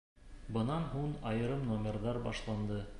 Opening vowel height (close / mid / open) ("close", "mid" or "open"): mid